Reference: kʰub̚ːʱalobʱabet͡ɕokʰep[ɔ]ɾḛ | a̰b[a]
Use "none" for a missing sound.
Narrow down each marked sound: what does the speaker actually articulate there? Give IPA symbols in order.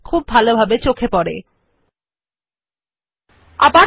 ɔ, a

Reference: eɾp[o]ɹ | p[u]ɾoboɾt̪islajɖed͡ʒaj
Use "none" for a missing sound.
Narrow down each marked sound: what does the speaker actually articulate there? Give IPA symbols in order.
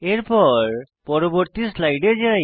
ɔ, ɔ

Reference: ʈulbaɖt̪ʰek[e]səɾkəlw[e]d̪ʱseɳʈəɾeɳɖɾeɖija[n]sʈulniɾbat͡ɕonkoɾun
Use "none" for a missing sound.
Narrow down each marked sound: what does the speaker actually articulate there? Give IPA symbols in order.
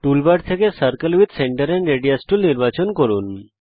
e, i, none

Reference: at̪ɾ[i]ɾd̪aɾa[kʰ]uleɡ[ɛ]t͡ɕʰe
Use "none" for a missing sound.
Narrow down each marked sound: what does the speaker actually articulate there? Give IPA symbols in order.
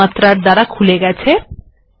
a, kʰ, ɛ

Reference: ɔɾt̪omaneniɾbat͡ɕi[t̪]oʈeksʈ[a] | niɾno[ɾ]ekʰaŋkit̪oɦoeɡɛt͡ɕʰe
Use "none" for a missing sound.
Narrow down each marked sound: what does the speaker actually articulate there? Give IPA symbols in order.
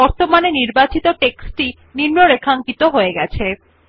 t̪, i, ɾ

